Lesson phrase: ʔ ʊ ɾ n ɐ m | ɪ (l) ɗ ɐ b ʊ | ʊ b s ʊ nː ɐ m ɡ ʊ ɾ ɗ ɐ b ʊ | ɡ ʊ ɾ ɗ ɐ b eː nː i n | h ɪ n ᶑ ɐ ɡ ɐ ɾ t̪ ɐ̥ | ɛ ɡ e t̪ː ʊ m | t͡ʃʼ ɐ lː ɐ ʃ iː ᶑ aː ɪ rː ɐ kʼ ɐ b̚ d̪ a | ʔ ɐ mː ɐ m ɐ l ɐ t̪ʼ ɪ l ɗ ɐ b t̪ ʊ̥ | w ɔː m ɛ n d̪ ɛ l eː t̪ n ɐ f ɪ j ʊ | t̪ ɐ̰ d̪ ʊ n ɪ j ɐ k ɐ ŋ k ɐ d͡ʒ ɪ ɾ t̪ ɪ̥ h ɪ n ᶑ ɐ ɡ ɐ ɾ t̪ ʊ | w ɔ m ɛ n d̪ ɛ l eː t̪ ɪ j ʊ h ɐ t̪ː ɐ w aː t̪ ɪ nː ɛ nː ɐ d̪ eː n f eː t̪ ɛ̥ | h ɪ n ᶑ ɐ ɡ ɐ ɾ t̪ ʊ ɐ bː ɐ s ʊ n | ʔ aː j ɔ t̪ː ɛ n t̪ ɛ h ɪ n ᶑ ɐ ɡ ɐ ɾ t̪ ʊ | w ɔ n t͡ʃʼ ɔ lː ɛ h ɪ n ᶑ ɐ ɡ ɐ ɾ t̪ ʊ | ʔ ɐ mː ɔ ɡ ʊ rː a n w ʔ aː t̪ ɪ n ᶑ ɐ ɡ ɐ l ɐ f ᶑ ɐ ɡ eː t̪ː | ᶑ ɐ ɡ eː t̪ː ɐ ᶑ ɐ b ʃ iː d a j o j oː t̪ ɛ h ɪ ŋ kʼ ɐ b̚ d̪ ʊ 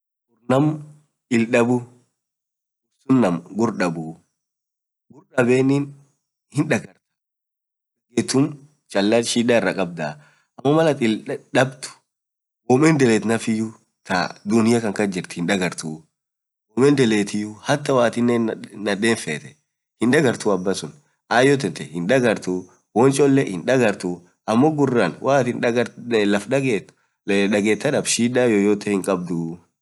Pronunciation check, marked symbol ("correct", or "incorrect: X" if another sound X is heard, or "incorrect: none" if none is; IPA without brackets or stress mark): correct